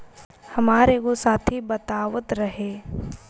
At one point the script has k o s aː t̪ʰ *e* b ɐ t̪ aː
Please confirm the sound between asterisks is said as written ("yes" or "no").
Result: no